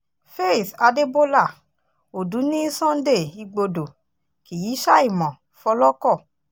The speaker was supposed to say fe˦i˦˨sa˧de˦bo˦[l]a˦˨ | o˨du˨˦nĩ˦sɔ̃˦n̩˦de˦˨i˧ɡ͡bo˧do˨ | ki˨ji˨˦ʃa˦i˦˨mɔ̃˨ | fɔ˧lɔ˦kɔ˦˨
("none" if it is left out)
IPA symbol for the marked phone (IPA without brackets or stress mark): l